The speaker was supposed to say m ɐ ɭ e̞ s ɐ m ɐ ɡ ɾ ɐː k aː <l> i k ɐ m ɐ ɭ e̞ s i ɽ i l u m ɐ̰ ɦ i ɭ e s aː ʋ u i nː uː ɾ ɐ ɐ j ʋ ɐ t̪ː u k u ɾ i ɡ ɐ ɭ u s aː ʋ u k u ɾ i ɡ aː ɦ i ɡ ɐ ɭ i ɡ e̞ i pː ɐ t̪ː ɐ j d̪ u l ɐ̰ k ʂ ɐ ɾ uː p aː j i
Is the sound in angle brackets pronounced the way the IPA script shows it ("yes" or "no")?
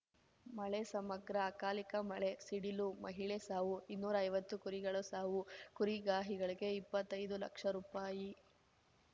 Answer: yes